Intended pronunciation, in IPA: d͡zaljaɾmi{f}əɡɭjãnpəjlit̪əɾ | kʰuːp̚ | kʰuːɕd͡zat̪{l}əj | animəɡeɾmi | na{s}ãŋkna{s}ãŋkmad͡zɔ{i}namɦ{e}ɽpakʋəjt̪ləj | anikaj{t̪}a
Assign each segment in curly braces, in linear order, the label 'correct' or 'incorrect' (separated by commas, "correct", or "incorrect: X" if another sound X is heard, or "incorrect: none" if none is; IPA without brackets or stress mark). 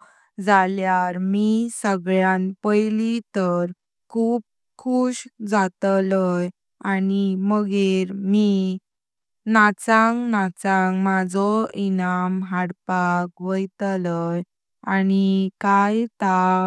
incorrect: s, correct, incorrect: t͡s, incorrect: t͡s, correct, incorrect: a, correct